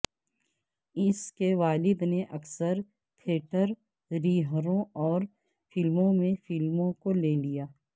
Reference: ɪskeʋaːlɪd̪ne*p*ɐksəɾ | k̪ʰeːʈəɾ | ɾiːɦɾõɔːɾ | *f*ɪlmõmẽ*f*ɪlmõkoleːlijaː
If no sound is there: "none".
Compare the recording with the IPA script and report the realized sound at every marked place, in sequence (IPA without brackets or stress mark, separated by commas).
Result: ʔ, f, f